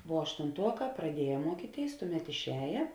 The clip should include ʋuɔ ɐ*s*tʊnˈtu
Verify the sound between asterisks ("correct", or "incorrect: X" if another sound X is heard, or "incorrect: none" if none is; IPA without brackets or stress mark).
incorrect: ʃ